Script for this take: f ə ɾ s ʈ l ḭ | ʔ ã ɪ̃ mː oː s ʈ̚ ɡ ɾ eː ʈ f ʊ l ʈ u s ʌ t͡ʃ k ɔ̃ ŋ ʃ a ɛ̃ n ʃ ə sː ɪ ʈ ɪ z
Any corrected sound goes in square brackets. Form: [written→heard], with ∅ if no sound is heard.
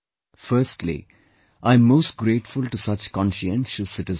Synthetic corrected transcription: f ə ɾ s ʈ l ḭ | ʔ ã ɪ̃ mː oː s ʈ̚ ɡ ɾ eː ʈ f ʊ l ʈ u s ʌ t͡ʃ k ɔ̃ [ŋ→n] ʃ [a→i] ɛ̃ n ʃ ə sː ɪ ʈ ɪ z